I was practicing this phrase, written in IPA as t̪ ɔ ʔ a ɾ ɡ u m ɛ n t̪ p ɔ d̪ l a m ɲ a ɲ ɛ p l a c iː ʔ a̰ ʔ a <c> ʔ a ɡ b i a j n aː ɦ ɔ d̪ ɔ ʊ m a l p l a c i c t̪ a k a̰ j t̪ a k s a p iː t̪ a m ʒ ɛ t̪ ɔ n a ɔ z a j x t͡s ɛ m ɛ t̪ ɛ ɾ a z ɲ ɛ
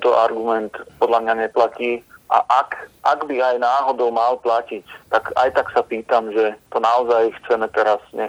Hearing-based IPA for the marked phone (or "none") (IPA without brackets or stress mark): k